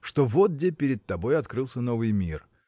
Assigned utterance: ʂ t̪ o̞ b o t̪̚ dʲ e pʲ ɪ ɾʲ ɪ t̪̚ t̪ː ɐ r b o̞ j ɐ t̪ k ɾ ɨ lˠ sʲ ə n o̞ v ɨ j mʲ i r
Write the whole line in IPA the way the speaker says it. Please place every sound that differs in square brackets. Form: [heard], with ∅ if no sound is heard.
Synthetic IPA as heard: ʂ t̪ o̞ [v] o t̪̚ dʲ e pʲ ɪ ɾʲ ɪ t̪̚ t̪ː ɐ [∅] b o̞ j ɐ t̪ k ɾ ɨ lˠ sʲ ə n o̞ v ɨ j mʲ i r